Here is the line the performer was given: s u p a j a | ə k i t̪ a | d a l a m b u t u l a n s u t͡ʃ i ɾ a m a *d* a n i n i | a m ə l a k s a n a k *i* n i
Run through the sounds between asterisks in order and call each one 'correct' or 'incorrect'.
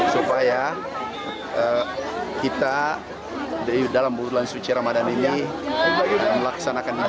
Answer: correct, incorrect: a

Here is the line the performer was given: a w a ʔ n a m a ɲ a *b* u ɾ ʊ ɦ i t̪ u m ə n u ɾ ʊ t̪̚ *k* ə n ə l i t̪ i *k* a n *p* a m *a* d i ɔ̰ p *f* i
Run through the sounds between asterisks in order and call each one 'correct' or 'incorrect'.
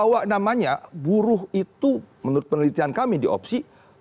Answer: correct, incorrect: p, incorrect: none, incorrect: k, incorrect: i, incorrect: s

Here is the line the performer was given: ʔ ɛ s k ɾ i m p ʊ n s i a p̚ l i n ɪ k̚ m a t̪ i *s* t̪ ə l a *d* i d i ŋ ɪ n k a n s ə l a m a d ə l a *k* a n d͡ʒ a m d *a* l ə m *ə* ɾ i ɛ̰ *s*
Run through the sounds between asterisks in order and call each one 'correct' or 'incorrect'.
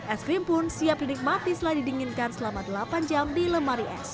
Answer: correct, correct, incorrect: p, incorrect: i, incorrect: a, correct

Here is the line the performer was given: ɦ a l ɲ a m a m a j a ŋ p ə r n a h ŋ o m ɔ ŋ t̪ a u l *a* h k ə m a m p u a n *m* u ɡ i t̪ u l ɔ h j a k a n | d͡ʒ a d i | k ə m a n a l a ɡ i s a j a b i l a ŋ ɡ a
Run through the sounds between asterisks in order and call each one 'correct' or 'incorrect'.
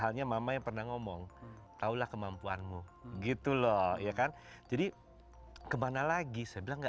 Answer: correct, correct

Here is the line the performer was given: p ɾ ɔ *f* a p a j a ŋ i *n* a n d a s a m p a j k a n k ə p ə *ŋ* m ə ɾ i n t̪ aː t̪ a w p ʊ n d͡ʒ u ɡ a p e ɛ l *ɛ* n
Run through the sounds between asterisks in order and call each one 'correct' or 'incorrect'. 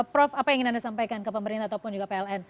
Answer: correct, correct, incorrect: none, correct

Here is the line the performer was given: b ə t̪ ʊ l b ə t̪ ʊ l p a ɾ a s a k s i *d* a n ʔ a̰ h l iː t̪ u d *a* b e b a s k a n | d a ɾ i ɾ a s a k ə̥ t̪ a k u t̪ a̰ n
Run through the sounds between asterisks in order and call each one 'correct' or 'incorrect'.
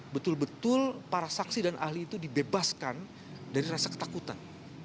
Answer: correct, incorrect: i

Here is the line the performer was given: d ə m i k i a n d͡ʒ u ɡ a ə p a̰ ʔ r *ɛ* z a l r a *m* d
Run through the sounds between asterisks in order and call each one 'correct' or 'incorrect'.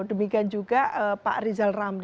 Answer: incorrect: i, correct

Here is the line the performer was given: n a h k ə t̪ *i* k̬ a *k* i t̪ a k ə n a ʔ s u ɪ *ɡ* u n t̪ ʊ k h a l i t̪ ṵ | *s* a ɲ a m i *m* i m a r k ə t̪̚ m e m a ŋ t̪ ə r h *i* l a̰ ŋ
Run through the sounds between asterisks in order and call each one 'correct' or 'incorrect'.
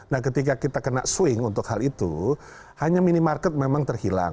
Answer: correct, correct, incorrect: ŋ, incorrect: h, incorrect: n, correct

